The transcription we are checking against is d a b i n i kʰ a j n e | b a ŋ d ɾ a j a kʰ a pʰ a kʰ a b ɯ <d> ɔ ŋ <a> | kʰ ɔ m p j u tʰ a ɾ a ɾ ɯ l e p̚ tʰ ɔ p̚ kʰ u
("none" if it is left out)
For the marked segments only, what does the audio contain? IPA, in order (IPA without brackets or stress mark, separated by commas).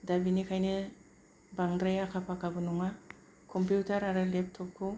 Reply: n, a